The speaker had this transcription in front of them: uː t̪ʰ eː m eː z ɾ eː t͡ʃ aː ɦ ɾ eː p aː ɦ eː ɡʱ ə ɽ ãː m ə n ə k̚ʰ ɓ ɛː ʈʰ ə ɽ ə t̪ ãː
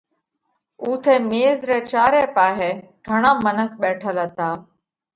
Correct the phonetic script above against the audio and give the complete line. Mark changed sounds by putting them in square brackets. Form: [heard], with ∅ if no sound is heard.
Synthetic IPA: uː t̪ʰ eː m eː z ɾ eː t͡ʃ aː [∅] ɾ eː p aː ɦ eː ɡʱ ə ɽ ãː m ə n ə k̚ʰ ɓ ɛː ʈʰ ə [l] ə t̪ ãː